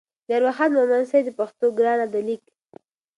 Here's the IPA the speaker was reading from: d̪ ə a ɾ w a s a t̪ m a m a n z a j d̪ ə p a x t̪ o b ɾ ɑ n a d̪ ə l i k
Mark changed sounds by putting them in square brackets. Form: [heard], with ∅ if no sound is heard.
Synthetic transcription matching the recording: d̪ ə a ɾ w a [x] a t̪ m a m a n [s] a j d̪ ə p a x t̪ o [ɡ] ɾ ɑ n a d̪ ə l i k